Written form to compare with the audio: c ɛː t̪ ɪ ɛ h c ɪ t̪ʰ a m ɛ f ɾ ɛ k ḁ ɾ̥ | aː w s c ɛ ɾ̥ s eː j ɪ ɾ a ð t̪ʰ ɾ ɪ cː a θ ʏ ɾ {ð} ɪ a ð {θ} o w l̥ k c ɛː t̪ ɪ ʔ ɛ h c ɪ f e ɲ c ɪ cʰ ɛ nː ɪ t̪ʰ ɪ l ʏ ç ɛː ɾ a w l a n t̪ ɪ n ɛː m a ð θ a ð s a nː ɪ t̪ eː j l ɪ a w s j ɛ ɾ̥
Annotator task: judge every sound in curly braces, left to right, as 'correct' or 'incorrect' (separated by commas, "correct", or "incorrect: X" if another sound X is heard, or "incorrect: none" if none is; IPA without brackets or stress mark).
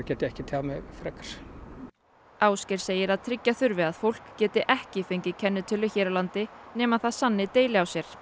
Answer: incorrect: v, incorrect: f